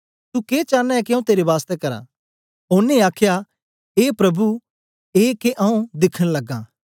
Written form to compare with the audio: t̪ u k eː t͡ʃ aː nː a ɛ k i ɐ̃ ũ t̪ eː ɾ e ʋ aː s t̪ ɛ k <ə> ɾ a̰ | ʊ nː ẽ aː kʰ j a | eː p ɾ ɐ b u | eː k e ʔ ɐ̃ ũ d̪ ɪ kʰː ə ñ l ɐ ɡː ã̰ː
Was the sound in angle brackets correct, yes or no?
no